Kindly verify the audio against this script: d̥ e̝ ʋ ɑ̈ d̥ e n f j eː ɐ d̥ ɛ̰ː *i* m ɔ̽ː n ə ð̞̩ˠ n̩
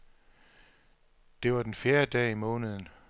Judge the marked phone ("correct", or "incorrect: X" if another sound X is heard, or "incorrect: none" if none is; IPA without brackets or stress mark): correct